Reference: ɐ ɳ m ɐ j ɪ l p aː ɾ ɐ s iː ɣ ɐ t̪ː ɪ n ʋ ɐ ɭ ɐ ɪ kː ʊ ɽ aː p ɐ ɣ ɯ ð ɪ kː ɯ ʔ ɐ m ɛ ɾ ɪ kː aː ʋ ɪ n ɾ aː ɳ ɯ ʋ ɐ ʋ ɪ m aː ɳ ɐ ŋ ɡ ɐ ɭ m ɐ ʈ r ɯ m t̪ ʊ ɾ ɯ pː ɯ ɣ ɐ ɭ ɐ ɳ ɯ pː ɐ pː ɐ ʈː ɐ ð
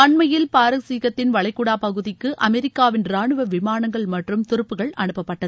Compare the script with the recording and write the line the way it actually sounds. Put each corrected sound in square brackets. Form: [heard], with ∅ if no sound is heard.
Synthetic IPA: ɐ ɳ m ɐ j ɪ l p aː ɾ ɐ s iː ɣ ɐ t̪ː ɪ n ʋ ɐ ɭ ɐ ɪ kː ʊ ɽ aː p ɐ ɣ ɯ ð ɪ kː ɯ ʔ ɐ m ɛ ɾ ɪ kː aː ʋ ɪ n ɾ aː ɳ ɯ ʋ ɐ ʋ ɪ m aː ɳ ɐ ŋ ɡ ɐ ɭ m ɐ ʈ r ɯ m t̪ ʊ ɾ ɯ pː ɯ ɣ ɐ ɭ ɐ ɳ ɯ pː ɐ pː ɐ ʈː ɐ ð